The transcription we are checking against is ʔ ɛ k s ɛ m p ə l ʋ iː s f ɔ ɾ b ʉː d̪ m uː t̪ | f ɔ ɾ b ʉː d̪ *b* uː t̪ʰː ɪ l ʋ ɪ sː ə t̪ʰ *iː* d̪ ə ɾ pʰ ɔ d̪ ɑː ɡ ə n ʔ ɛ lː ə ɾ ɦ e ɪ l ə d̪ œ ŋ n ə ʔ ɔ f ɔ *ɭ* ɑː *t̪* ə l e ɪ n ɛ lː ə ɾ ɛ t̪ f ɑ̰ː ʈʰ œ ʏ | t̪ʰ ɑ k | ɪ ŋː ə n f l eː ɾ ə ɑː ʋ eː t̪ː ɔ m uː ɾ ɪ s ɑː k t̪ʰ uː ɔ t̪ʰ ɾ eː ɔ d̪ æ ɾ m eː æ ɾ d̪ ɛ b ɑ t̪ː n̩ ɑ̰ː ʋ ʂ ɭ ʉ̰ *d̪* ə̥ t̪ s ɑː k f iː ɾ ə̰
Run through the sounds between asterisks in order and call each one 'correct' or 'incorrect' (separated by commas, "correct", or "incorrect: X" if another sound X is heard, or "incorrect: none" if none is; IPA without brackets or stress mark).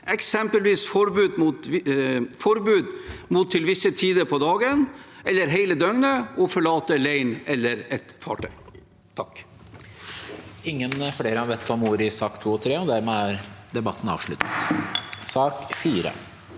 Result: incorrect: m, correct, correct, correct, incorrect: t̪